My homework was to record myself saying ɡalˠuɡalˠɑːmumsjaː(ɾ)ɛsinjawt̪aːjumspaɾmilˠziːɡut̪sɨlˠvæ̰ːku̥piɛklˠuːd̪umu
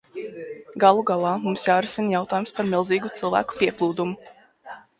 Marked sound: correct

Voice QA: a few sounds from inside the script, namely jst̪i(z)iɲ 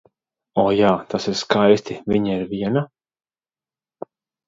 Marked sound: incorrect: v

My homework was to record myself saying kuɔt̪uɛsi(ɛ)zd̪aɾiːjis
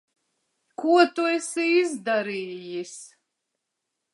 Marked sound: incorrect: i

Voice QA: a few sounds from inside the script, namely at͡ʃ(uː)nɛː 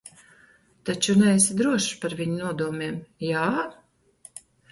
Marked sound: incorrect: u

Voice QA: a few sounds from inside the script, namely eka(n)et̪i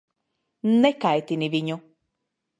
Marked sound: incorrect: none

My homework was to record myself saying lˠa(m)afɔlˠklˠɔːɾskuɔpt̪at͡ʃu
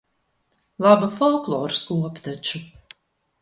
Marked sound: incorrect: b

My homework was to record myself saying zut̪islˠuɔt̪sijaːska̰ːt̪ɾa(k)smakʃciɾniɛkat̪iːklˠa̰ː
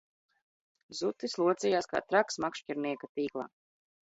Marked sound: correct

